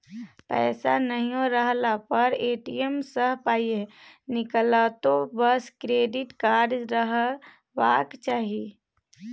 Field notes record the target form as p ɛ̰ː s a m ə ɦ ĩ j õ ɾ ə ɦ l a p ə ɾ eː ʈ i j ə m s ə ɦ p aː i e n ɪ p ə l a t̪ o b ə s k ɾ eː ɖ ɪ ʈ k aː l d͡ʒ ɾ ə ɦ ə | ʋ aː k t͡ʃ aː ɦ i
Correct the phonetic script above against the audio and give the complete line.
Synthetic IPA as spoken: p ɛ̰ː s a n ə ɦ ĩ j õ ɾ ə ɦ l a p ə ɾ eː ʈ i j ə m s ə ɦ p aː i e n ɪ k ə l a t̪ o b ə s k ɾ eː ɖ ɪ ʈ k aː ɾ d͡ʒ ɾ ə ɦ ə | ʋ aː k t͡ʃ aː ɦ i